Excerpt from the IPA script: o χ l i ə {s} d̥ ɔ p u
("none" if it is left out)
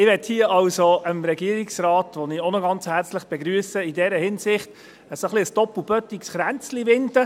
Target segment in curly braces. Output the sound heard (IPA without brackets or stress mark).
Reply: s